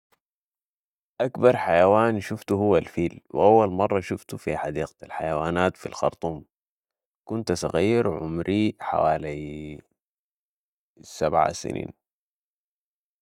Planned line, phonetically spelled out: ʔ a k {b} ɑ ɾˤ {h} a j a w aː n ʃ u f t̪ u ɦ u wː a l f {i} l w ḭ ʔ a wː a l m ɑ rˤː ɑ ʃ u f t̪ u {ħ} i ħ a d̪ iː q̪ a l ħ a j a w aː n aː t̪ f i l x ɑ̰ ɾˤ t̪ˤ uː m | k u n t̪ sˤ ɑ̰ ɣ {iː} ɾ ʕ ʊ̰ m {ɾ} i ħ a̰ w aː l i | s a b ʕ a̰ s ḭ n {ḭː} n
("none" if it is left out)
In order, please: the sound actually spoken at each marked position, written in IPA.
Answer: b, ħ, iː, f, iː, ɾ, ḭː

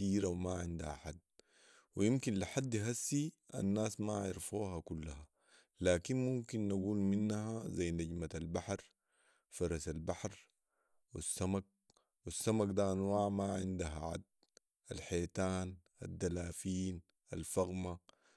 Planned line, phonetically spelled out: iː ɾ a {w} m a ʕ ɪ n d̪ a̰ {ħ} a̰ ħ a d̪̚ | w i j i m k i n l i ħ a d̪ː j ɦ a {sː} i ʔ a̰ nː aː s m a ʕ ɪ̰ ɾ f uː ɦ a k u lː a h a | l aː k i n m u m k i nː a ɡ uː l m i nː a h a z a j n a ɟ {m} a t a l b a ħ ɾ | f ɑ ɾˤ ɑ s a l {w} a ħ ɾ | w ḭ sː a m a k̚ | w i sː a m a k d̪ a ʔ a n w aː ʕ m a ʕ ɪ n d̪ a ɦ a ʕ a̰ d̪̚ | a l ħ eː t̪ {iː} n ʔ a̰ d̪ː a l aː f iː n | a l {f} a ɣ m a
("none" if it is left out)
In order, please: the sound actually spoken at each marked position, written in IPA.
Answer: w, h, sː, m, b, aː, f

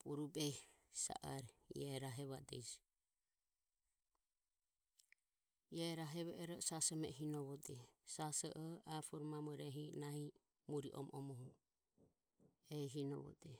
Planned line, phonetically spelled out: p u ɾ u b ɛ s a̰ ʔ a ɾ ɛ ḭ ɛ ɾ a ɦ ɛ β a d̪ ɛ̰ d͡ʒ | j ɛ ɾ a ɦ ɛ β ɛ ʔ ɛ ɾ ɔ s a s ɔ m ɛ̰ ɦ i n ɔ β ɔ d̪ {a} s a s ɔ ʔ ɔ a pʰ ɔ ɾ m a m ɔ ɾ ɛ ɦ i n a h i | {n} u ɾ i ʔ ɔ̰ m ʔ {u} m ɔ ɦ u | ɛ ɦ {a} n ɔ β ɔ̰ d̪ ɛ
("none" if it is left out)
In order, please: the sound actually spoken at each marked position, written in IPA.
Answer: ɛ, m, ɔ, i

